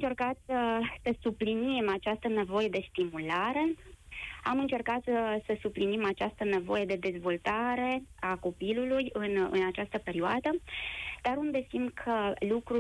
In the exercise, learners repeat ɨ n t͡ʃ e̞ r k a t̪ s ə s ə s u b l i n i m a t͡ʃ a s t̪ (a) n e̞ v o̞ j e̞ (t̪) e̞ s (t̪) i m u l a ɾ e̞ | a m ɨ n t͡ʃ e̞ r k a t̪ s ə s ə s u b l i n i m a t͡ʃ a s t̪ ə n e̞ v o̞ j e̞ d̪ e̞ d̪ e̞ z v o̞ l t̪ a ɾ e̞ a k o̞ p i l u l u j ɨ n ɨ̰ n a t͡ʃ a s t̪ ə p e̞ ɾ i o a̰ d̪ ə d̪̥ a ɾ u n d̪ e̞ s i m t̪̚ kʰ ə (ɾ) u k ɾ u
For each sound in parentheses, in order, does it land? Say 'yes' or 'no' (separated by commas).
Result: no, no, yes, no